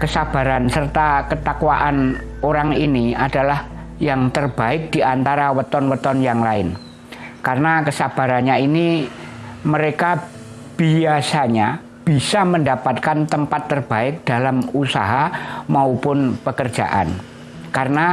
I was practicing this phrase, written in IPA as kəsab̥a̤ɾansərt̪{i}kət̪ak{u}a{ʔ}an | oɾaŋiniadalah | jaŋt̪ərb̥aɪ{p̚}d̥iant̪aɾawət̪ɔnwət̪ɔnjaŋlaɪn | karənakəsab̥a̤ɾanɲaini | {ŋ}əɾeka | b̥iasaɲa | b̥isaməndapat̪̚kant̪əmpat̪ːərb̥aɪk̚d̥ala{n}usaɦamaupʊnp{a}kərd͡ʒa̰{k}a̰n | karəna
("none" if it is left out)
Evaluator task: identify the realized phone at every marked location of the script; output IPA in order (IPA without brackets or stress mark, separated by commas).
a, w, ʔ, k̚, m, m, ə, ʔ